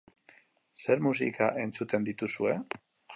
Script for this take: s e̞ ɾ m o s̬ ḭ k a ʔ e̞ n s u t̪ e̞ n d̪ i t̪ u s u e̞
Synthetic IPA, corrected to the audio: s e̞ ɾ m u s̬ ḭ k a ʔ e̞ n t͡s u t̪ e̞ n d̪ i t̪ u s u e̞